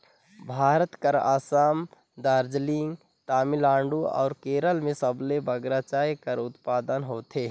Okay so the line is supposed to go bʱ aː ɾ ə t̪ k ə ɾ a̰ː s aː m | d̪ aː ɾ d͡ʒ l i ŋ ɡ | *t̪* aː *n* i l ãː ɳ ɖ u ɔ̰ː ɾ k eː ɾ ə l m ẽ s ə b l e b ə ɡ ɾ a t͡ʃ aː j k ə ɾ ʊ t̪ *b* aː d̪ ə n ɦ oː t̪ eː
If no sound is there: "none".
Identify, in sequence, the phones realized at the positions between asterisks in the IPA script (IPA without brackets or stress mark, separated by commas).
t̪, m, p